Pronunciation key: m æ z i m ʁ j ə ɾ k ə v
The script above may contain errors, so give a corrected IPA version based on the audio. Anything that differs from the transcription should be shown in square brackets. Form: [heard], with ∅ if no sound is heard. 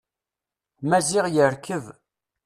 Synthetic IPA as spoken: m æ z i [∅] ʁ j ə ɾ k ə v